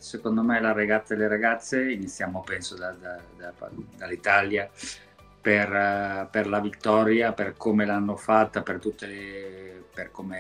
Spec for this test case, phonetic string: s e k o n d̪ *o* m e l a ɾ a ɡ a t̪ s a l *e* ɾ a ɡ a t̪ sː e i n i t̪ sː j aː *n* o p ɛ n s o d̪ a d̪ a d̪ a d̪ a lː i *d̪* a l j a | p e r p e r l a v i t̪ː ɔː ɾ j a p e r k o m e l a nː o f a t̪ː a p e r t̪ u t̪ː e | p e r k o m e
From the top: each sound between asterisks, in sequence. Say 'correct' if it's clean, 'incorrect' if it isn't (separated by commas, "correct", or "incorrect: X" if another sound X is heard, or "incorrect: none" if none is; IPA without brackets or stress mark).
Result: correct, correct, incorrect: m, incorrect: t̪